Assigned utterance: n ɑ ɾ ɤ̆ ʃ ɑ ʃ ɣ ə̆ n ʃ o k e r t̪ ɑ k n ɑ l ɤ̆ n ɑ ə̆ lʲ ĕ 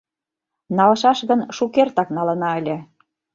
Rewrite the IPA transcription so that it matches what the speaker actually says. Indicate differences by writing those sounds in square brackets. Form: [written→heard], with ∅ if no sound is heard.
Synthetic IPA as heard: n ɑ [ɾ→l] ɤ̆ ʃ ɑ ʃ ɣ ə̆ n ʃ [o→u] k e r t̪ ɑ k n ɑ l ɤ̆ n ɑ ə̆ lʲ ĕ